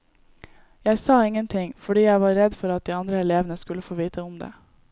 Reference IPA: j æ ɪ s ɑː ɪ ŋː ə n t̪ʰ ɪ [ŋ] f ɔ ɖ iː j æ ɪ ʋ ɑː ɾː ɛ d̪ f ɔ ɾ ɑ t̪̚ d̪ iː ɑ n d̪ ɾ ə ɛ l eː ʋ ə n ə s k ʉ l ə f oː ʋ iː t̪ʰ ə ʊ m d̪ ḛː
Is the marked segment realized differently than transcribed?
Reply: no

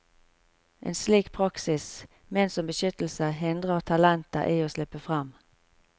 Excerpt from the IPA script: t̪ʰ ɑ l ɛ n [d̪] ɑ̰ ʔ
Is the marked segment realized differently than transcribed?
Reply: yes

